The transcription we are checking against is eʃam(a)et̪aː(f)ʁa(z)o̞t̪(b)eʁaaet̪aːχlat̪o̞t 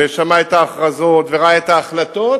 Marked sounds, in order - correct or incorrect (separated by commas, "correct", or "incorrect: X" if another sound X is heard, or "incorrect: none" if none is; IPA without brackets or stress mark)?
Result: correct, incorrect: χ, correct, incorrect: v